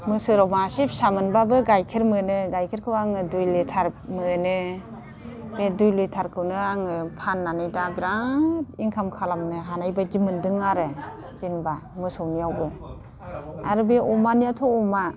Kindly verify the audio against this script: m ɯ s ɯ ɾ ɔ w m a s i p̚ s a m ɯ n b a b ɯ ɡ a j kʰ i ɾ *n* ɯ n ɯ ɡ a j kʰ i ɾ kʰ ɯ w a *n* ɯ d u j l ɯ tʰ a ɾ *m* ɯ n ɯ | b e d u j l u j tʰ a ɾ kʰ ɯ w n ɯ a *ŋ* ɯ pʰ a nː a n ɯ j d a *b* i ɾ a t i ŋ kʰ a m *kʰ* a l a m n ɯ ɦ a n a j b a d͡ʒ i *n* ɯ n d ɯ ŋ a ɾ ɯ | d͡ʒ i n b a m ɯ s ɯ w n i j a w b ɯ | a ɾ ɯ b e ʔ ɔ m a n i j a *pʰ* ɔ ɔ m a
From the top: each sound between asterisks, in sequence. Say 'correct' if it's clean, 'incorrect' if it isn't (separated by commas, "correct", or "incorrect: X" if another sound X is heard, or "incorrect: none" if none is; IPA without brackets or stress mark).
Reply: incorrect: m, incorrect: ŋ, correct, correct, correct, correct, incorrect: m, incorrect: tʰ